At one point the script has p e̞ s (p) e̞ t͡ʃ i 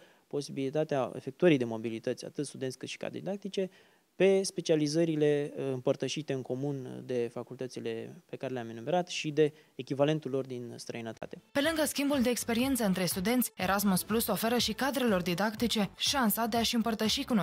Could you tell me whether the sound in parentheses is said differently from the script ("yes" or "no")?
no